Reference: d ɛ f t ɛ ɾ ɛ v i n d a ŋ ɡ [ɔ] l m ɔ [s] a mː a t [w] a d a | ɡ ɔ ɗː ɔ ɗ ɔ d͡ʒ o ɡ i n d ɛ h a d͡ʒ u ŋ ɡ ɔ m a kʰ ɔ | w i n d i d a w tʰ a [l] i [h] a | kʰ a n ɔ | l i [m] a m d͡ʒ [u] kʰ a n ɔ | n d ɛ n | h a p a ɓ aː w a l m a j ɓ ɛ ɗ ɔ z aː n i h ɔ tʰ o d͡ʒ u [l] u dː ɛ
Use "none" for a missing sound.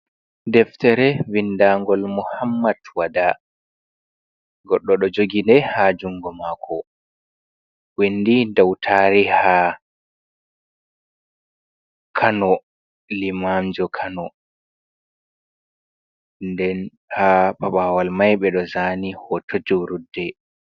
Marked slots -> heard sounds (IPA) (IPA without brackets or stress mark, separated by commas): ɔ, h, w, ɾ, h, m, ɔ, ɾ